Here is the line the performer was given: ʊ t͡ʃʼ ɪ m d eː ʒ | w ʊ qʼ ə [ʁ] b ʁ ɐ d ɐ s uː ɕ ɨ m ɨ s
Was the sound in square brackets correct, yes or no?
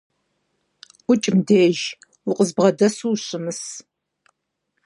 no